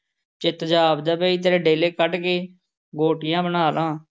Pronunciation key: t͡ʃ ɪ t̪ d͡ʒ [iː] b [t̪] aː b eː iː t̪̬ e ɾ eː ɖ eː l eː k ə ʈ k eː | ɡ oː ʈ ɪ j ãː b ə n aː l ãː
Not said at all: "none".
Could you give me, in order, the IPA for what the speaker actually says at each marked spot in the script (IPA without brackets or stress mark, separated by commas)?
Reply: aː, d̪